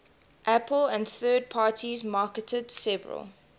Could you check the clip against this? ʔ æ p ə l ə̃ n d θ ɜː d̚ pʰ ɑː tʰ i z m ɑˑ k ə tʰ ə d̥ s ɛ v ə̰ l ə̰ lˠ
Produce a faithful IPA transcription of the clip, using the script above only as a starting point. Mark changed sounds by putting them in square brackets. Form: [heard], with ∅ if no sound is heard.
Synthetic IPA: ʔ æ p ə l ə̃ n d θ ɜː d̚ pʰ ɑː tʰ i z m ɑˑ k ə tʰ ə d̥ s ɛ v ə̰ [ɹ] ə̰ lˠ